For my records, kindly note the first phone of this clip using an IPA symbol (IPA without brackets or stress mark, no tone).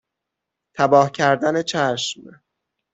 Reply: t̪ʰ